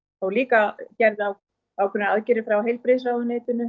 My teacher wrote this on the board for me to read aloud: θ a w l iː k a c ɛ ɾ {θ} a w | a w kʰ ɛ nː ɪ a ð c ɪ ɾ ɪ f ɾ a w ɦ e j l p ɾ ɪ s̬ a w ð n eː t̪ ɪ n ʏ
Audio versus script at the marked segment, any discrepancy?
yes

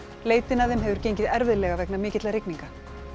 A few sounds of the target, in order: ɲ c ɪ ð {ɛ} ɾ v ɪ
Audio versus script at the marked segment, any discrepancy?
no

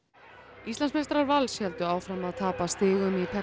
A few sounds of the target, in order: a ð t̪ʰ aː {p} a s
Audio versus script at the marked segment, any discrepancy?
no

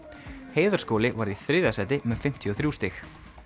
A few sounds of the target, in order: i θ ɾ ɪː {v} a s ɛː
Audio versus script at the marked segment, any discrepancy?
yes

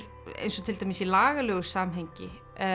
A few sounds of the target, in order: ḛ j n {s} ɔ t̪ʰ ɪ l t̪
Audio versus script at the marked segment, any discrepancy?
no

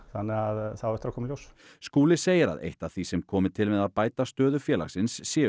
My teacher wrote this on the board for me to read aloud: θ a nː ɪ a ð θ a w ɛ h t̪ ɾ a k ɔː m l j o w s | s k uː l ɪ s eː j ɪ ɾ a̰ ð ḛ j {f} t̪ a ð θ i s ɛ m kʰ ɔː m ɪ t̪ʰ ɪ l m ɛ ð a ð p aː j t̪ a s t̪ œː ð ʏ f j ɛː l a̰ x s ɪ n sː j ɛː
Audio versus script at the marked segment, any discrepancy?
yes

